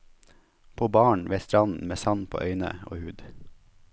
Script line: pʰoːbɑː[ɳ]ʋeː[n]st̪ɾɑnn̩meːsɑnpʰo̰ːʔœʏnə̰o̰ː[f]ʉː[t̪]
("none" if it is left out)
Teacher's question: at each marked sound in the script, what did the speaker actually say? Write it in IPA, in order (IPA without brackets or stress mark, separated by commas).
ɳ, none, h, d̪